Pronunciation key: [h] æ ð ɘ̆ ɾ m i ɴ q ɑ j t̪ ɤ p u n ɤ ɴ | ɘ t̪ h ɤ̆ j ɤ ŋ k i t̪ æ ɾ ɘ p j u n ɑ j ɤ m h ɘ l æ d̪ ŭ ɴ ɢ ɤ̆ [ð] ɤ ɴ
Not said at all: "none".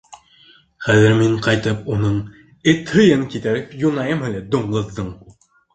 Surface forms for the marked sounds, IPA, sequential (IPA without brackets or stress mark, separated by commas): χ, ðː